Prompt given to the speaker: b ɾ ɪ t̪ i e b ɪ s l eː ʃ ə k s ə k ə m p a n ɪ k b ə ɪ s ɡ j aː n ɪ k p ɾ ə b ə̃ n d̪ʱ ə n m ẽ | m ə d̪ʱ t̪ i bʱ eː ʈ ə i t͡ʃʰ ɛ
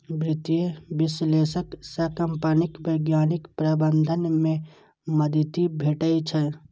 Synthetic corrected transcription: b ɾ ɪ t̪ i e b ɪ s l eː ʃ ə k s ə k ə m p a n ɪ k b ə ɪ ɡ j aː n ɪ k p ɾ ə b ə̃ n d̪ʱ ə n m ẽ | m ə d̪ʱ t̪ i bʱ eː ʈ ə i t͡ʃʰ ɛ